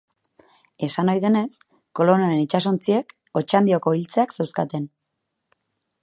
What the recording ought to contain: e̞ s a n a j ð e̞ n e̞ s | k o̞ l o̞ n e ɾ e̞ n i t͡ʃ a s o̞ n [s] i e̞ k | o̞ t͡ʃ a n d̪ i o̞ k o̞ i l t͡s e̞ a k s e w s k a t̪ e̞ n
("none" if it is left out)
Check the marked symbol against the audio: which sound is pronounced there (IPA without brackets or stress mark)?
t͡s